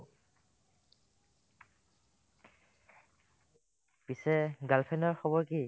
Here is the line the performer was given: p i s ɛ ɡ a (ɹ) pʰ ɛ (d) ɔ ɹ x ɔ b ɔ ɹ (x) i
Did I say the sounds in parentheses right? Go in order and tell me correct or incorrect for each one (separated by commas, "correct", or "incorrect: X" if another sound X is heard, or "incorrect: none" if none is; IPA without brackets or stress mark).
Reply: incorrect: l, incorrect: n, incorrect: k